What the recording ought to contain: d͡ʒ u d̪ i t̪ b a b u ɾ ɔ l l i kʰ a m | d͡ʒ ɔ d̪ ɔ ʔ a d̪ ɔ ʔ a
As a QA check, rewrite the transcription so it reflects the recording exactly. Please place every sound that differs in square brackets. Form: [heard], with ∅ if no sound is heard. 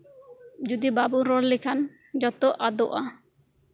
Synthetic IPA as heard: d͡ʒ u d̪ i [∅] b a b u ɾ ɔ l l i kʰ a [n] | d͡ʒ ɔ [t̪] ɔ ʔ a d̪ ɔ ʔ a